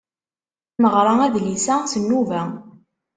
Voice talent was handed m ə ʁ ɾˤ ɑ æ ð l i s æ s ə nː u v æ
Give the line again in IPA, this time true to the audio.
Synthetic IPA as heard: m ə ʁ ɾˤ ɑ æ ð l i s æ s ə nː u v æ